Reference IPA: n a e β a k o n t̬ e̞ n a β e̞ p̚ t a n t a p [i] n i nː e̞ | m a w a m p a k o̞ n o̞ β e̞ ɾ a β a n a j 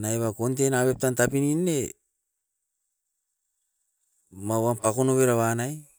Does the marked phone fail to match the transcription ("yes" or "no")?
no